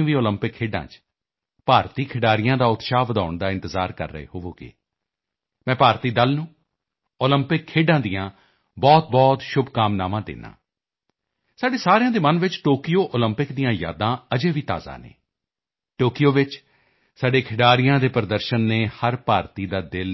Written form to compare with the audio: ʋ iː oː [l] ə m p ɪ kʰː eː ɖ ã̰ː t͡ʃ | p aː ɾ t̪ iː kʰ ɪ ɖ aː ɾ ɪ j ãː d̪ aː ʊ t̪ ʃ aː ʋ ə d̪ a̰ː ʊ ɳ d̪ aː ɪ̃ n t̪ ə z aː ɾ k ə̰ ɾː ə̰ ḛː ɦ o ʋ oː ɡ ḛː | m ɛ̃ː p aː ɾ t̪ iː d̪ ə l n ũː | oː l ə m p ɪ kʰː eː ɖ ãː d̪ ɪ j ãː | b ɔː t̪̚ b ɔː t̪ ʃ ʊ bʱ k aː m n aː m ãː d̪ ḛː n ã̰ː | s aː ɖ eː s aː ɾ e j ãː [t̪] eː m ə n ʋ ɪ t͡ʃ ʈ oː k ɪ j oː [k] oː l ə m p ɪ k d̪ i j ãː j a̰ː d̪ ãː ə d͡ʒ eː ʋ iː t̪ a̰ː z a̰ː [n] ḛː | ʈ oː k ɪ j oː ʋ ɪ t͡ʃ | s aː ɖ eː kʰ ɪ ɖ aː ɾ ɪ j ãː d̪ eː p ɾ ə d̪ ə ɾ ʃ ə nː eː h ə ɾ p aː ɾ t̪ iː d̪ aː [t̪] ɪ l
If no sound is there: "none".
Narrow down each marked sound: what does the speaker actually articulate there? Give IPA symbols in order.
l, d̪, ʔ, n, d̪

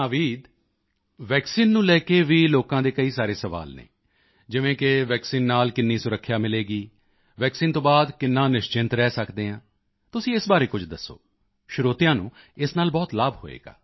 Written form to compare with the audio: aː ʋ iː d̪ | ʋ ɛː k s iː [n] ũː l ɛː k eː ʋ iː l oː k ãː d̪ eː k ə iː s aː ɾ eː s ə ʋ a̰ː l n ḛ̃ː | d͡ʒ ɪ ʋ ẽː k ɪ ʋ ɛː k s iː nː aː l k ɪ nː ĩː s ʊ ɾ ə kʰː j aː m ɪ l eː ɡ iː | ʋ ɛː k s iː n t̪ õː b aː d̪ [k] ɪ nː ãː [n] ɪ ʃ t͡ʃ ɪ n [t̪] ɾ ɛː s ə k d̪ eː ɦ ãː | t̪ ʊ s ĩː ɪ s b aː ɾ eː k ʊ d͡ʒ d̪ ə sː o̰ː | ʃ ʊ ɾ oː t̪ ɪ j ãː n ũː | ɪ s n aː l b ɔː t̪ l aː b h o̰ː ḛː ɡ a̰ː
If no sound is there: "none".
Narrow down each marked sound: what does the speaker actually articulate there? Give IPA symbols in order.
nː, k, n, t̪

